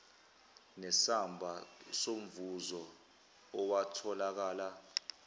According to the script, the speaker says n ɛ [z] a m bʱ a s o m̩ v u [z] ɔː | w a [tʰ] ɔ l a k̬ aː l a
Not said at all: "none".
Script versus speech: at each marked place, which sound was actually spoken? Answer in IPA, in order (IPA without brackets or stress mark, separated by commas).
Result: s, z, tʰ